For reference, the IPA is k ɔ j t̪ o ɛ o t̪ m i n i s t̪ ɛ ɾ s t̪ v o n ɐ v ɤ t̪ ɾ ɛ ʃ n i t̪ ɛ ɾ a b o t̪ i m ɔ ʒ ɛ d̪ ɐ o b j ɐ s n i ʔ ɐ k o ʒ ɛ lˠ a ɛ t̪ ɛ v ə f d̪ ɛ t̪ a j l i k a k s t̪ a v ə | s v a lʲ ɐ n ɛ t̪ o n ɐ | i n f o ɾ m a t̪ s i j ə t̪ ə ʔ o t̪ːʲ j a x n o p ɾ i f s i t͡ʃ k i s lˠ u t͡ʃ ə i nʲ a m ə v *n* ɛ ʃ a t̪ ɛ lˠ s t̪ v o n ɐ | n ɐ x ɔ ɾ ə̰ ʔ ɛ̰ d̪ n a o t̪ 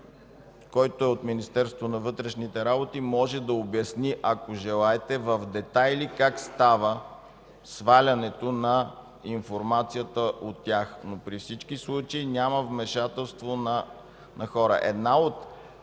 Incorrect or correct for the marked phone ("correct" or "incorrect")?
incorrect